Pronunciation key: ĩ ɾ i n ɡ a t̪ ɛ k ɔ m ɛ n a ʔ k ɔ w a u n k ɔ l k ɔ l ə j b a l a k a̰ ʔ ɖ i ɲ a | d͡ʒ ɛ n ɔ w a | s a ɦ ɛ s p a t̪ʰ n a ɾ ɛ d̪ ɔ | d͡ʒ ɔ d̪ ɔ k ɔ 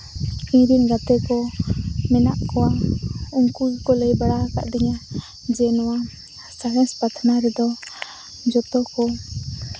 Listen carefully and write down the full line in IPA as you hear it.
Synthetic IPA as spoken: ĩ ɾ i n ɡ a t̪ ɛ k ɔ m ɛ n a ʔ k ɔ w a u ŋ k u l k ɔ l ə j b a ɽ a k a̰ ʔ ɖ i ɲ a | d͡ʒ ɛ n ɔ w a | s a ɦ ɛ s p a t̪ʰ n a ɾ ɛ d̪ ɔ | d͡ʒ ɔ t̪ ɔ k ɔ